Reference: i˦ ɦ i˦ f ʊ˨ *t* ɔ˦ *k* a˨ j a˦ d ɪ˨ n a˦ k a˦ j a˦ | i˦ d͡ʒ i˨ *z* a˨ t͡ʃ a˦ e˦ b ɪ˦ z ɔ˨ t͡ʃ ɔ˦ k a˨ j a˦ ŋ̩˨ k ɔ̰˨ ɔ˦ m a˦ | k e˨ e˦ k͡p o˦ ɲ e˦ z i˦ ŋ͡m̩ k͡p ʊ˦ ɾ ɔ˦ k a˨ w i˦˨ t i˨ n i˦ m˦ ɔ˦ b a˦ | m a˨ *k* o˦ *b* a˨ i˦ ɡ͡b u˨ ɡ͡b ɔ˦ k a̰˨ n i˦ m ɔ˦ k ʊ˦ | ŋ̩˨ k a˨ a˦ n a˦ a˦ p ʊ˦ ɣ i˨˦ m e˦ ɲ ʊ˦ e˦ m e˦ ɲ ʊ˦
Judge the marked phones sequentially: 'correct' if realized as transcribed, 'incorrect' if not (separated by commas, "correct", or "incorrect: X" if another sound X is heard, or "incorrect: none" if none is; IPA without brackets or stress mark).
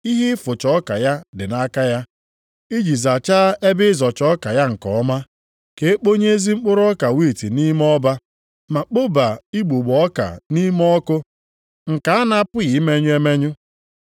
incorrect: t͡ʃ, correct, correct, incorrect: k͡p, correct